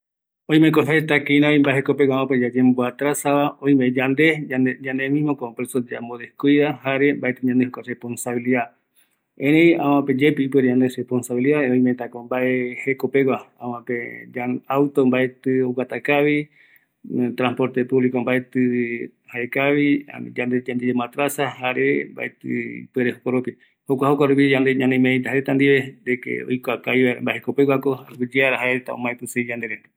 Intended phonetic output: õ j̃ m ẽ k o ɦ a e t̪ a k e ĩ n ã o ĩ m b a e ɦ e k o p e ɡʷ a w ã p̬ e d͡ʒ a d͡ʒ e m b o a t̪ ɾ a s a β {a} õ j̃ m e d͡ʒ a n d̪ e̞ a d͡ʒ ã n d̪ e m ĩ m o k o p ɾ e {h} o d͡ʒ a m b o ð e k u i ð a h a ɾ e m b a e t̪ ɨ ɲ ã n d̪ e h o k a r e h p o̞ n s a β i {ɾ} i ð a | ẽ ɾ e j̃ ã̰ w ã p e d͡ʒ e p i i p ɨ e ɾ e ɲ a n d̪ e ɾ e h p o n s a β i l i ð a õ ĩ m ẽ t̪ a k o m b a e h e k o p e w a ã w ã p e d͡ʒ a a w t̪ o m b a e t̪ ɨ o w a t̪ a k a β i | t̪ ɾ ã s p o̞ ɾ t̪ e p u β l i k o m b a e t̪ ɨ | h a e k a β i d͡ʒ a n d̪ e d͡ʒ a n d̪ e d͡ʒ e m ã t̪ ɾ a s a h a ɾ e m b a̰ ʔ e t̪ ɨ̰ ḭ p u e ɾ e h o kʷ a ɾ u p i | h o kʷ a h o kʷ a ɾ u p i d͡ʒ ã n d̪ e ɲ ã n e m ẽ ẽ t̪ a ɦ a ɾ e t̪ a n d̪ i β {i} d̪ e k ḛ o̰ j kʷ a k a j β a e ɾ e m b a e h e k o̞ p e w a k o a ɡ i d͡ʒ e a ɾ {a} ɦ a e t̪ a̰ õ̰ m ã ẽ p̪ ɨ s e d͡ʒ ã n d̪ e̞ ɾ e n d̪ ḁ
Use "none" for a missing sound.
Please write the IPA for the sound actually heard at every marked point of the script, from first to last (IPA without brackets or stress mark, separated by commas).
a, s, l, e, a